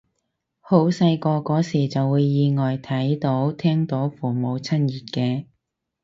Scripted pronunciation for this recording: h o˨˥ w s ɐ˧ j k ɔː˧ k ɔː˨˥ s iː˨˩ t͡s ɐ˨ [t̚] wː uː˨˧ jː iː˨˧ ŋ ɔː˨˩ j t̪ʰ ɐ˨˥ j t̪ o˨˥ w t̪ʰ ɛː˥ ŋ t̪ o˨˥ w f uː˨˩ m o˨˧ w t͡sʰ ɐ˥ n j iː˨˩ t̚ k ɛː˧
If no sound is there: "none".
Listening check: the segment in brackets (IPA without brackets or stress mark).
none